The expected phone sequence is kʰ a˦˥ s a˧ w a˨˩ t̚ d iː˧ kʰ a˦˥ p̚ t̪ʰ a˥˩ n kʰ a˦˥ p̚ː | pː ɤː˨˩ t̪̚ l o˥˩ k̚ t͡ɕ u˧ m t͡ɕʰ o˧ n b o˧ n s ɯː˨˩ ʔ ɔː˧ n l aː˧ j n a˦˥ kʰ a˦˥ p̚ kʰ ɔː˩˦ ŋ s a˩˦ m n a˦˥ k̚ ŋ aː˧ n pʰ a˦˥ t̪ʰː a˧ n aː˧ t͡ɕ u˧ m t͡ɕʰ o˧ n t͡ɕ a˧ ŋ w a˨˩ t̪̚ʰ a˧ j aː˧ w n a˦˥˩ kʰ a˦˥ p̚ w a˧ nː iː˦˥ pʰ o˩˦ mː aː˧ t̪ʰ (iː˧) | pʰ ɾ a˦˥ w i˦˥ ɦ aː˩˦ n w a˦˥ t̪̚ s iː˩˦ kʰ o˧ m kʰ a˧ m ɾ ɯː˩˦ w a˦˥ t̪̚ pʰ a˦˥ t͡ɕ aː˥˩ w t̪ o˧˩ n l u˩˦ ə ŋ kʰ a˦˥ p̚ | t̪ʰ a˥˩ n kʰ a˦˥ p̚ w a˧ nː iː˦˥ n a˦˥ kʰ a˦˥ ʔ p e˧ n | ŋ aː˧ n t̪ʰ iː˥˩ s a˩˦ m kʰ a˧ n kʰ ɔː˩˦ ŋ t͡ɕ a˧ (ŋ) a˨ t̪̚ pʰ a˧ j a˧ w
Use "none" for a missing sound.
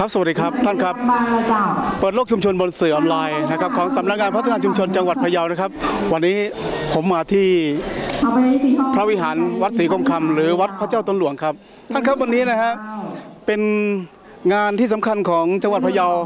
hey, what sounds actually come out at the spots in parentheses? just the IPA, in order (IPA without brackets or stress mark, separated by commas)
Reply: iː˥˩, ŋ